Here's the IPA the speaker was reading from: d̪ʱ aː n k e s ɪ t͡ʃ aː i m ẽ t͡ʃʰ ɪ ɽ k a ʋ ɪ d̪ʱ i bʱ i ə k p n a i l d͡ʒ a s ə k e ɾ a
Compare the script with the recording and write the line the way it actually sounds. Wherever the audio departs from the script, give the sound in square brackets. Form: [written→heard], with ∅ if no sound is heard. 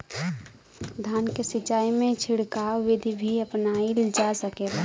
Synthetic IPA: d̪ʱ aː n k e s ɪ t͡ʃ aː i m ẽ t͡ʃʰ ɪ ɽ k a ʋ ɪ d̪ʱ i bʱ i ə [k→∅] p n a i l d͡ʒ a s ə k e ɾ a